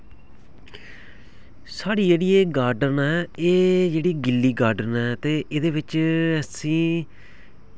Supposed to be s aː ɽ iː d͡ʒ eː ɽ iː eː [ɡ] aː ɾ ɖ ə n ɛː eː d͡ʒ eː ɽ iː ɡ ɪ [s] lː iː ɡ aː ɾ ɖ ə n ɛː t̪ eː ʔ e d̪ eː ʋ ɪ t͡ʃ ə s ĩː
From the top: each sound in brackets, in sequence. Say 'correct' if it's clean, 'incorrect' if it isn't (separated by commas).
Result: correct, incorrect